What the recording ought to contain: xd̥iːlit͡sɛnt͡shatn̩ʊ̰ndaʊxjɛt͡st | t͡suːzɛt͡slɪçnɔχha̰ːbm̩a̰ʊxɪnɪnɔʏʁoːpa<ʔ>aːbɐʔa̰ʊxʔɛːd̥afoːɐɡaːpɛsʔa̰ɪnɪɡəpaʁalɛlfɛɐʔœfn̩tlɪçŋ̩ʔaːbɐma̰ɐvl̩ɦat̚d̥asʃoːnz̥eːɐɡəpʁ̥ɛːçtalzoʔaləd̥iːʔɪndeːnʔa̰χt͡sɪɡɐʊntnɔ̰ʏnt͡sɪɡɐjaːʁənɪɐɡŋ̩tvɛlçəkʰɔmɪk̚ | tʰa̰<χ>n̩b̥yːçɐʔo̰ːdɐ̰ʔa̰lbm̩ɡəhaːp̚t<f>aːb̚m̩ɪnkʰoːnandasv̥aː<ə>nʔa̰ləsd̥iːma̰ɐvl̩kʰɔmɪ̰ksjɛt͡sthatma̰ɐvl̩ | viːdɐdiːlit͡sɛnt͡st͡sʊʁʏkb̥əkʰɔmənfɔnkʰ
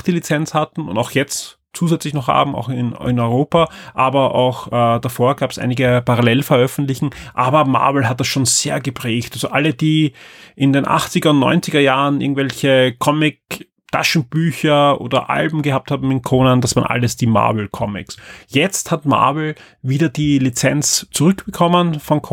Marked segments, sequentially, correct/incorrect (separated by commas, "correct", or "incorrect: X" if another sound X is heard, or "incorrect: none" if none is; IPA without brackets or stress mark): correct, incorrect: ʃ, incorrect: h, incorrect: ɐ